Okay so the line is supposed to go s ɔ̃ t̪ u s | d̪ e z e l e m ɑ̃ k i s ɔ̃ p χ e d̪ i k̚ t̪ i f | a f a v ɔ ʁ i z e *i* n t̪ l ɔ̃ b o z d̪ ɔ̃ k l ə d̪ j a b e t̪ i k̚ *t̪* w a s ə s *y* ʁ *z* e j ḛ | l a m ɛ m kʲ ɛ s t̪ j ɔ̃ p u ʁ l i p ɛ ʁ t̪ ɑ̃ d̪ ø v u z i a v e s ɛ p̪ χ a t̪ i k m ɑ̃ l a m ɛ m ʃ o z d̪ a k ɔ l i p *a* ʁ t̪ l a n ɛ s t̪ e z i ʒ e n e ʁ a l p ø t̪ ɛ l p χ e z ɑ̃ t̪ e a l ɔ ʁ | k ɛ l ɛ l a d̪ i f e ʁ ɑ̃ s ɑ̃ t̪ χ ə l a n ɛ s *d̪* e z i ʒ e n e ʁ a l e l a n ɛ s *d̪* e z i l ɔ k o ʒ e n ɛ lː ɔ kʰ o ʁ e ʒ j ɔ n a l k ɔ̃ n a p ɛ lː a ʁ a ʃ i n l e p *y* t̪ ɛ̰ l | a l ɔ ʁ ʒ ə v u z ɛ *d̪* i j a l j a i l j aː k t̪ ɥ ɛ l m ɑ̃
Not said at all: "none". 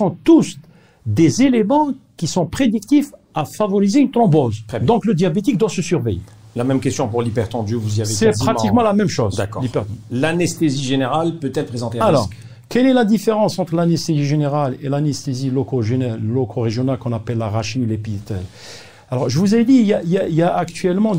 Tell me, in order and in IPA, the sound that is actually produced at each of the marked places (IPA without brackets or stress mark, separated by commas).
y, d̪, y, v, ɛ, t̪, t̪, i, d̪